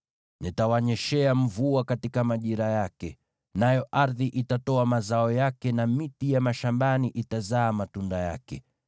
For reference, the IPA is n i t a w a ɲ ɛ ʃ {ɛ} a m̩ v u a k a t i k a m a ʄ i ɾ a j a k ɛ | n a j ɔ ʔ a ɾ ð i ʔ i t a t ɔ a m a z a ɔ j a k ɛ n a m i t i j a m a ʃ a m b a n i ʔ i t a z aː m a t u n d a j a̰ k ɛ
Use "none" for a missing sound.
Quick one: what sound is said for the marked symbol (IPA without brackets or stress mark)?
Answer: ɛ